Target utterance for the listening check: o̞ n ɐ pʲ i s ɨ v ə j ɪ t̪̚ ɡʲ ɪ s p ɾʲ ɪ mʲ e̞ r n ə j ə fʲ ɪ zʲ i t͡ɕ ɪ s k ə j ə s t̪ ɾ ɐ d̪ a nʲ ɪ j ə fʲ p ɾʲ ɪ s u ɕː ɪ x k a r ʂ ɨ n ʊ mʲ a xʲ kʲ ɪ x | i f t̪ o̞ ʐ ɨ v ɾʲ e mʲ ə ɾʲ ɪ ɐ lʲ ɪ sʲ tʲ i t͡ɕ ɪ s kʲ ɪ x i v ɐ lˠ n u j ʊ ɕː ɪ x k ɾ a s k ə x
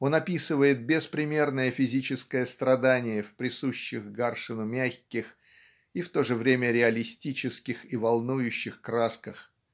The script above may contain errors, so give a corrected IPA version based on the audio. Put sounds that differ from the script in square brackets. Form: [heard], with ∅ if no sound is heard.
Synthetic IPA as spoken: o̞ n ɐ pʲ i s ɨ v ə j ɪ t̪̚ [bʲ] ɪ s p ɾʲ ɪ mʲ e̞ r n ə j ə fʲ ɪ zʲ i t͡ɕ ɪ s k ə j ə s t̪ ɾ ɐ d̪ a nʲ ɪ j ə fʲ p ɾʲ ɪ s u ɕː ɪ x [ɡ] a r ʂ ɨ n ʊ mʲ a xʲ kʲ ɪ x | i f t̪ o̞ ʐ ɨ v ɾʲ e mʲ ə ɾʲ ɪ ɐ lʲ ɪ sʲ tʲ i t͡ɕ ɪ s kʲ ɪ x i v ɐ lˠ n u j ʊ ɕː ɪ x k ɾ a s k ə x